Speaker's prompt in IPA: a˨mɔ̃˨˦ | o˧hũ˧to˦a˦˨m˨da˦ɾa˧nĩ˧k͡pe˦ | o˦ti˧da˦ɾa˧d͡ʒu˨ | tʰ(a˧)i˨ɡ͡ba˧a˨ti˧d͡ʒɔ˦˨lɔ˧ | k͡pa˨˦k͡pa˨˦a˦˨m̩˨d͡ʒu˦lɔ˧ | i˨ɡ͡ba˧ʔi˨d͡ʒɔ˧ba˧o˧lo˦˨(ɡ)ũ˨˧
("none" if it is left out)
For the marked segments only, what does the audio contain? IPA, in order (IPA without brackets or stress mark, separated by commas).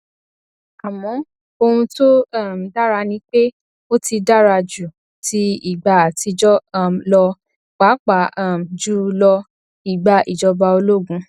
i˧, ɡ